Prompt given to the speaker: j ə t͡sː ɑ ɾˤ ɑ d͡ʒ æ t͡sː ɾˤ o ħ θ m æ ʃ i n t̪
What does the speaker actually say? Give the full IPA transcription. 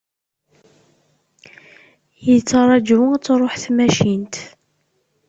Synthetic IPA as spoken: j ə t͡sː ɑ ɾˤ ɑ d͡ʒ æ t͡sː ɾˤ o ħ θ m æ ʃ i n t̪

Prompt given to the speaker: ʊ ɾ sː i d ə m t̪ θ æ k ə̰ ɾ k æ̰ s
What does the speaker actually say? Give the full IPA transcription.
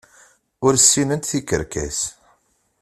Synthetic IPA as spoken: ʊ ɾ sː i n ə n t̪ θ i k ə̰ ɾ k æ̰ s

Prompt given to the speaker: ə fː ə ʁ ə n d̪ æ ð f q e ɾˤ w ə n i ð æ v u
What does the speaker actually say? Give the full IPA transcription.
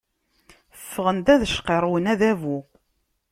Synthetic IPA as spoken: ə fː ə ʁ ə n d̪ æ ð ʃ q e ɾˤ w ə n æ ð æ v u

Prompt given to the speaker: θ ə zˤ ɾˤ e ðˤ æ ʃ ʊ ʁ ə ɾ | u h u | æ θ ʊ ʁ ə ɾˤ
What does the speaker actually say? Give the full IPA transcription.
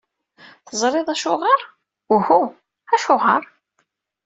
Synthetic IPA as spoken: θ ə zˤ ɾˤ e ðˤ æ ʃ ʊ ʁ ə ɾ | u h u | æ ʃ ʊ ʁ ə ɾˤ

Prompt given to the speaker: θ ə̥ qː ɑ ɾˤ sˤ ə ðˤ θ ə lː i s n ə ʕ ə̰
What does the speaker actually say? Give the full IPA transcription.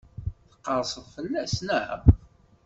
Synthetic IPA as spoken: θ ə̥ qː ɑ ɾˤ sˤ ə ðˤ f ə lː æ s n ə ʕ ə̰

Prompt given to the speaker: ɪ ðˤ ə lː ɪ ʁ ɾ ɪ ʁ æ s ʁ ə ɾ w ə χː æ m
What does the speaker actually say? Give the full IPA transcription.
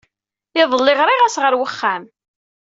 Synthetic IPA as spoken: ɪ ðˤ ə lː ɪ ʁ ɾ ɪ ʁ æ s ʁ ə ɾ w ə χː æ m

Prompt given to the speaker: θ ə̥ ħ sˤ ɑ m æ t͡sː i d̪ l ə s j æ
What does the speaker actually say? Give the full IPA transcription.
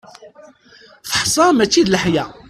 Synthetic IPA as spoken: θ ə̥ ħ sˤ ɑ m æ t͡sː i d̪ l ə ħ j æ

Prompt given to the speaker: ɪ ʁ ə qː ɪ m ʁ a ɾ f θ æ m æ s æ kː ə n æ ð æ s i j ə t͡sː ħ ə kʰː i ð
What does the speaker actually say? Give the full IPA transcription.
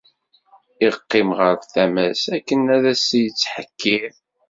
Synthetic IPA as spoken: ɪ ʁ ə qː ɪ m ʁ ə ɾ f θ æ m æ s æ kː ə n æ ð æ s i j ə t͡sː ħ ə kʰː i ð

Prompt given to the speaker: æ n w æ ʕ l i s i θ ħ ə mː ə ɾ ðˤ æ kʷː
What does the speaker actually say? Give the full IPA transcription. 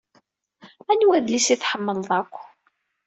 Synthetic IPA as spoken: æ n w æ ð l i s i θ ħ ə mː ə l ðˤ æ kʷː

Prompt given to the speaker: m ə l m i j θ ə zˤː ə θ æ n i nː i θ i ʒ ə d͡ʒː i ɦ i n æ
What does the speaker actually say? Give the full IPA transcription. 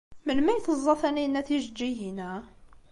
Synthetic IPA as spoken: m ə l m æ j θ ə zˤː ɑ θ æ n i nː æ θ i ʒ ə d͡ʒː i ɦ i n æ

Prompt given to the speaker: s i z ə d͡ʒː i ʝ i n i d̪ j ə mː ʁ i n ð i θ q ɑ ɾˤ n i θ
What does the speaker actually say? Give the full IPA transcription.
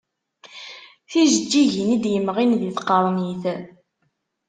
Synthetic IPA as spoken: θ i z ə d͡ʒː i ʝ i n i d̪ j ə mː ʁ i n ð i θ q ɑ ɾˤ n i θ

